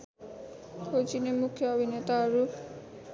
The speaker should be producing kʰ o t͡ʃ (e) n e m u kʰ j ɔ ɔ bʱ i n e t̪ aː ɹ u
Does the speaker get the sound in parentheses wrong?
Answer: yes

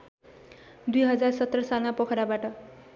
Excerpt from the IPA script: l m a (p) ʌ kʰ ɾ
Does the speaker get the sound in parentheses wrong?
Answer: no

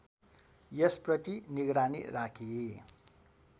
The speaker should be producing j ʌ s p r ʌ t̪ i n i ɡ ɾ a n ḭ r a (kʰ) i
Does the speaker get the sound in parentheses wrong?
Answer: no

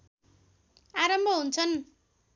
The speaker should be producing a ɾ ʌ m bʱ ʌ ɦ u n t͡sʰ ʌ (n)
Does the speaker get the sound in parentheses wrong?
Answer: no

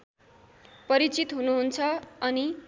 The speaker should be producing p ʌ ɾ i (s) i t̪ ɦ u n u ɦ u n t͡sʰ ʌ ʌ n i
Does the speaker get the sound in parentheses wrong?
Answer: yes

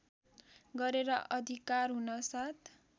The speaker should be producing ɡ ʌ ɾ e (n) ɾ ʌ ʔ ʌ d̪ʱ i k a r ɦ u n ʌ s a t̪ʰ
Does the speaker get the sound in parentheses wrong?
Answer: yes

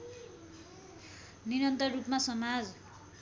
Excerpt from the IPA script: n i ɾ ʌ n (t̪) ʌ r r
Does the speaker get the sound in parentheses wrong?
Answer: no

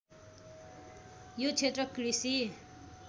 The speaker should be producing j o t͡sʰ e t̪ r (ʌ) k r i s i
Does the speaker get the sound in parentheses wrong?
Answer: no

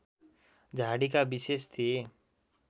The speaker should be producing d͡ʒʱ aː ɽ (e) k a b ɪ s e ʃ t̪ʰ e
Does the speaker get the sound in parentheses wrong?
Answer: yes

